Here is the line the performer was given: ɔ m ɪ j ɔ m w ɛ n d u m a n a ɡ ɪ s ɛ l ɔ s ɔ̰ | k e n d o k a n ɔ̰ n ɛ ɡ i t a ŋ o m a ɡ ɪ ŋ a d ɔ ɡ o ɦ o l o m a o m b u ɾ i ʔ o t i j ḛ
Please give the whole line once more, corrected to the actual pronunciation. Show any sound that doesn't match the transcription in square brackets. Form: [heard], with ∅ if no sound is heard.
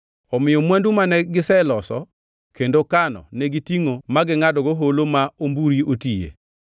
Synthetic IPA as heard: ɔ m ɪ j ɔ m w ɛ n d u m a n [ɛ] ɡ ɪ s ɛ l ɔ s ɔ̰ | k e n d o k a n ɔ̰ n ɛ ɡ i t [i] ŋ o m a ɡ ɪ ŋ a d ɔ ɡ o ɦ o l o m a o m b u ɾ i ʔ o t i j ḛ